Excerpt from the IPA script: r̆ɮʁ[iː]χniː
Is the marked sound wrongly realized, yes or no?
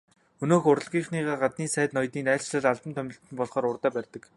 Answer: no